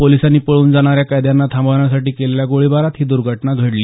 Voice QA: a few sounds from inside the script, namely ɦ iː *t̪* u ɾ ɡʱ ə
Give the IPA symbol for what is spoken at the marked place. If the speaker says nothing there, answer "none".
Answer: d̪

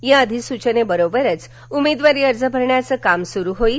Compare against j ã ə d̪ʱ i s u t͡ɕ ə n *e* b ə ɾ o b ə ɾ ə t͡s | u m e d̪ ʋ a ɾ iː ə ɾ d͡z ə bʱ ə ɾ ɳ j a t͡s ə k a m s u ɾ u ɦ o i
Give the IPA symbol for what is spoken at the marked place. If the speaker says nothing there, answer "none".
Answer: e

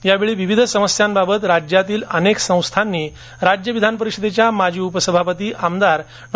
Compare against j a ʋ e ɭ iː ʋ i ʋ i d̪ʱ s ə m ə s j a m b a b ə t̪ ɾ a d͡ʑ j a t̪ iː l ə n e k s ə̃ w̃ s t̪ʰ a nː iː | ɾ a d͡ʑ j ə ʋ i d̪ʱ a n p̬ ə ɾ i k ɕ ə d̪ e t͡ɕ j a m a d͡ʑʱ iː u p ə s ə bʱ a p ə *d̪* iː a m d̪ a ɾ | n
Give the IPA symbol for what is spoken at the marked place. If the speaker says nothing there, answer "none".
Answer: t̪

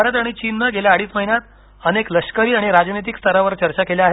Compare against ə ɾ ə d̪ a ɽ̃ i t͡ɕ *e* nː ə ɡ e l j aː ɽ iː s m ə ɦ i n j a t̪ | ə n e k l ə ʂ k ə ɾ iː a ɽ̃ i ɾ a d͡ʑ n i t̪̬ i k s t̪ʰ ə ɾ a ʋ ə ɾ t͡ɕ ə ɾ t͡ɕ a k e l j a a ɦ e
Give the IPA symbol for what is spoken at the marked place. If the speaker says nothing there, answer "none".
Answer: i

